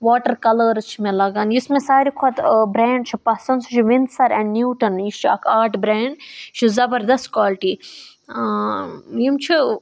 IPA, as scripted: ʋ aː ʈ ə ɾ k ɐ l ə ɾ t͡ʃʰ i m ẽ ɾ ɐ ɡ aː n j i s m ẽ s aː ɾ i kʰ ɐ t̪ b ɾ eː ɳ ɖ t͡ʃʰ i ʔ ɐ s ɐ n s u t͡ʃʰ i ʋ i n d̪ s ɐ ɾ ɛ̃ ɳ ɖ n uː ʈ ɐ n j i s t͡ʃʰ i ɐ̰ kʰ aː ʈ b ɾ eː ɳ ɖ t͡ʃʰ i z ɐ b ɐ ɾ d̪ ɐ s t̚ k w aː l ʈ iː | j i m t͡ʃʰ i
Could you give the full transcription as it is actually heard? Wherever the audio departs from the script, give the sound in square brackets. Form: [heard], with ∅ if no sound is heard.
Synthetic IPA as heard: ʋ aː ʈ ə ɾ k ɐ l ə ɾ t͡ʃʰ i m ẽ [l] ɐ ɡ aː n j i s m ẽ s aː ɾ i kʰ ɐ t̪ b ɾ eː ɳ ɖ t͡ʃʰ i [p] ɐ s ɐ n s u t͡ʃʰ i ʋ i n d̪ s ɐ ɾ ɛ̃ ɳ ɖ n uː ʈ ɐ n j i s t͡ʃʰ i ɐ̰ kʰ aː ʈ b ɾ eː ɳ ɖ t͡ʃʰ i z ɐ b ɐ ɾ d̪ ɐ s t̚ k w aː l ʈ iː | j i m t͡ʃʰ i